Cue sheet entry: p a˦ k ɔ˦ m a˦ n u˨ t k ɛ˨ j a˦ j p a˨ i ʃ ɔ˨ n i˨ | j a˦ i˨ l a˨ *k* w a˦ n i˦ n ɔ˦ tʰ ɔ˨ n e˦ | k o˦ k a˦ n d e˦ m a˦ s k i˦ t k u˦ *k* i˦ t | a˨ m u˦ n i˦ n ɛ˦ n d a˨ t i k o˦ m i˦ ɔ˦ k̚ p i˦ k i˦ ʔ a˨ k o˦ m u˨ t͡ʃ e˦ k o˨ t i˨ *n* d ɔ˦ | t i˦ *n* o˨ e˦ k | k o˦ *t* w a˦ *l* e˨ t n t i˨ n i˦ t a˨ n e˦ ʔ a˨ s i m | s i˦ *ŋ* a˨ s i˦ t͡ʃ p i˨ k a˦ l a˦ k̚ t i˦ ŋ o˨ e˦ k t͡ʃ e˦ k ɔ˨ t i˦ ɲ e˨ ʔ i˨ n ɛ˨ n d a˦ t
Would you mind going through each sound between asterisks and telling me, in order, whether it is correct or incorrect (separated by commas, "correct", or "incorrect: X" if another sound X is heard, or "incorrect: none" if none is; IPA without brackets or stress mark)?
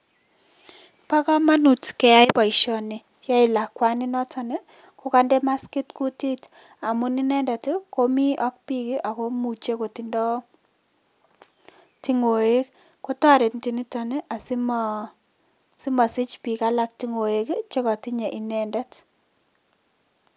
correct, incorrect: t, correct, incorrect: ŋ, correct, incorrect: ɾ, incorrect: m